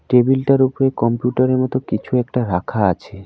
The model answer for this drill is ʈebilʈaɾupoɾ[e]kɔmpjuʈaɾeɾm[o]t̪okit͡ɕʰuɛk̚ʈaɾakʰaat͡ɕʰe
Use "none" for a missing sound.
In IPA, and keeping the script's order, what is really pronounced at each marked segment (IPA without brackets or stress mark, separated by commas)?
e, ɔ